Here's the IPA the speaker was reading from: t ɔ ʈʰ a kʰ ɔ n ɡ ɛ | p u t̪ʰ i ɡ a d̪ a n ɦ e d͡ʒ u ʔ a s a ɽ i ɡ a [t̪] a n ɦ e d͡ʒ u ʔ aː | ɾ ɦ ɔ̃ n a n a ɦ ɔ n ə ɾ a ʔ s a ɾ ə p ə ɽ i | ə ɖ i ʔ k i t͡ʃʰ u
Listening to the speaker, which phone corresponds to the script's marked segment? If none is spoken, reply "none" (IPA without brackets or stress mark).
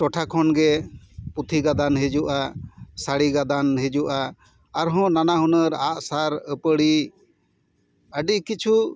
d̪